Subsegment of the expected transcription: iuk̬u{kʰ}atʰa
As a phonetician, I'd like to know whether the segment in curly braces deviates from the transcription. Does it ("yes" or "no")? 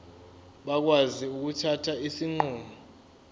yes